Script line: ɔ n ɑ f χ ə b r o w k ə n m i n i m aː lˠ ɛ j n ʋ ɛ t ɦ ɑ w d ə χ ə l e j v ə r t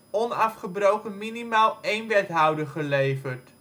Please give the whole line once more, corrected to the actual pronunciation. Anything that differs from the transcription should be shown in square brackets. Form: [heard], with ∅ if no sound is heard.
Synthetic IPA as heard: ɔ n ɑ f χ ə b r o w k ə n m i n i m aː lˠ [e] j n ʋ ɛ t ɦ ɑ w d ə χ ə l e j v ə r t